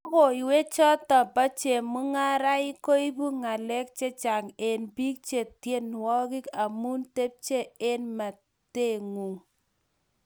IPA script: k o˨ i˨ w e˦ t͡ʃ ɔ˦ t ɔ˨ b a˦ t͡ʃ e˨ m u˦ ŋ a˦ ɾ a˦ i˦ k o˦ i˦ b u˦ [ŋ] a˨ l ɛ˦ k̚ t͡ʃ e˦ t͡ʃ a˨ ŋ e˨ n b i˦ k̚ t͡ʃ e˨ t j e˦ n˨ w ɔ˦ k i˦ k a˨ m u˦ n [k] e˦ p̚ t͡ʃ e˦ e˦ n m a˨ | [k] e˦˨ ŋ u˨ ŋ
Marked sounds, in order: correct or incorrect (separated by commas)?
correct, incorrect, incorrect